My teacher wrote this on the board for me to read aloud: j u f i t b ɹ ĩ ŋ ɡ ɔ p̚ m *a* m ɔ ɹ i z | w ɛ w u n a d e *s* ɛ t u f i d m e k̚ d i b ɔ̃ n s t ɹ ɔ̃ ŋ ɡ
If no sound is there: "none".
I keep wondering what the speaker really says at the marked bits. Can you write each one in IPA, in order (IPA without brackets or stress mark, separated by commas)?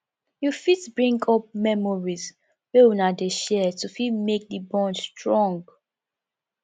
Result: ɛ, ʃ